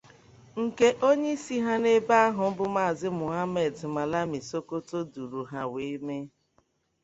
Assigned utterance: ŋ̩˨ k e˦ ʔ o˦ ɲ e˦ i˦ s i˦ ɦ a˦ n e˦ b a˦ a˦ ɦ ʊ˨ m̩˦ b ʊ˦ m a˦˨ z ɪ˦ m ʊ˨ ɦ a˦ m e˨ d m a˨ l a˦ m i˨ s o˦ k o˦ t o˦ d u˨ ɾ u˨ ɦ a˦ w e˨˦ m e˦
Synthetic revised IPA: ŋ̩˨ k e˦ ʔ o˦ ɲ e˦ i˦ s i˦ ɦ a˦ n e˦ b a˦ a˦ ɦ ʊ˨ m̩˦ b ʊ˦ m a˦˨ z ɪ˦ m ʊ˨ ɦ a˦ m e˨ d m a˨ l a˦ m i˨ s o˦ k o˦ t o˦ d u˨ ɾ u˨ ɦ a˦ w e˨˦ m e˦